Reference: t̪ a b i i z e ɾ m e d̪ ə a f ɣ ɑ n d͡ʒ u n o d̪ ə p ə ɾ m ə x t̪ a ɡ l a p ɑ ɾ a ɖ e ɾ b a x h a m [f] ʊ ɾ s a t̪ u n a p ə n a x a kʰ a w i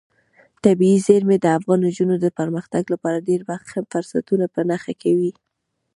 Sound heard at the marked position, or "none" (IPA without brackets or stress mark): f